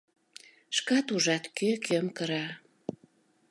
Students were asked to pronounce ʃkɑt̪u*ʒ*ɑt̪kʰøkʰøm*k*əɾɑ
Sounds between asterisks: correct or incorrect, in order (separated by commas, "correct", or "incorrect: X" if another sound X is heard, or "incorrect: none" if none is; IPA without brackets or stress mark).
correct, correct